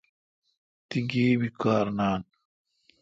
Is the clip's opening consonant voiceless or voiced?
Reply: voiceless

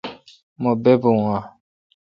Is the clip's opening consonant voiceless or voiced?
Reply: voiced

